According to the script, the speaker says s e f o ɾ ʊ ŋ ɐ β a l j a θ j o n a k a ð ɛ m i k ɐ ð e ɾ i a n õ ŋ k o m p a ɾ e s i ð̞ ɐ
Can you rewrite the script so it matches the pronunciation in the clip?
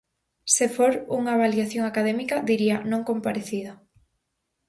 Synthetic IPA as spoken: s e f o ɾ u ŋ a β a l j a θ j o ŋ a k a ð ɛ m i k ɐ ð i ɾ i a n õ ŋ k o m p a ɾ e θ i ð̞ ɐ